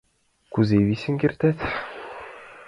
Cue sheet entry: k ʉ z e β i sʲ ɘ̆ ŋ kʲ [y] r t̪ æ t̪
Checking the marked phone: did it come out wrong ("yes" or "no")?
yes